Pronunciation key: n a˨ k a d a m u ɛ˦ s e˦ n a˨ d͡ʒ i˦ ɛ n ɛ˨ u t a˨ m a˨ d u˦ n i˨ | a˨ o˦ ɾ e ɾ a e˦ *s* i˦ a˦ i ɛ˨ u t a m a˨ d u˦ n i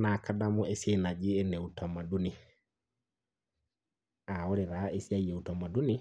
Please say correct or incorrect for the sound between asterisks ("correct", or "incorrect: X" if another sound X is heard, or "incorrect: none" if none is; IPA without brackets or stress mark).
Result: correct